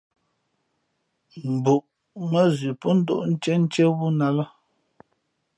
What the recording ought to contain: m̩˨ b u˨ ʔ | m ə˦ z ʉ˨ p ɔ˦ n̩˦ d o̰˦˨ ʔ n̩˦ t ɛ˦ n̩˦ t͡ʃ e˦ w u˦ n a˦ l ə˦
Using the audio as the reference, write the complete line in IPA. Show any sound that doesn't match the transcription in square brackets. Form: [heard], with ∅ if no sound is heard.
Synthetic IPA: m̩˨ b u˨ ʔ | m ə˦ z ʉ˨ p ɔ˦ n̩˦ d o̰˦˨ ʔ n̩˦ [t͡ʃ] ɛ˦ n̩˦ t͡ʃ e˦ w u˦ n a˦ l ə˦